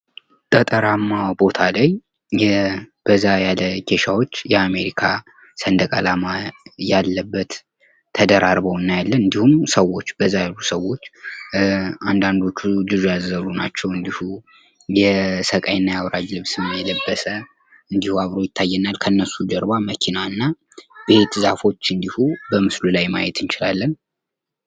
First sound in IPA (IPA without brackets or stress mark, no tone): t̪ʼ